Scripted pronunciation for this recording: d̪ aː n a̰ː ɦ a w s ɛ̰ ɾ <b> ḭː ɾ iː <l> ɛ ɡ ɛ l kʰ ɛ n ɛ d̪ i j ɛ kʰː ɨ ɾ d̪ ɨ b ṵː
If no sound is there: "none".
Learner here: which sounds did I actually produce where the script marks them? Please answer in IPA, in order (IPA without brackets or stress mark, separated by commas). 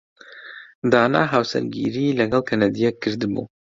ɡ, l